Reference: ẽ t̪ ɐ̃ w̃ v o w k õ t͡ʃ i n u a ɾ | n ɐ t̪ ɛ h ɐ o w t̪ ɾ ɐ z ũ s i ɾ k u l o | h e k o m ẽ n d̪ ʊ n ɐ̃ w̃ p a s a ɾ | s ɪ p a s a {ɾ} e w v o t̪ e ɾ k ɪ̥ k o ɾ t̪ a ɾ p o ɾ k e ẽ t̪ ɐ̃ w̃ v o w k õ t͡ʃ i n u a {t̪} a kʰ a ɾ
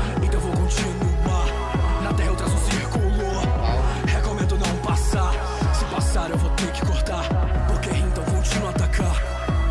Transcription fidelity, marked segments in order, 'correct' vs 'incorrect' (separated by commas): correct, correct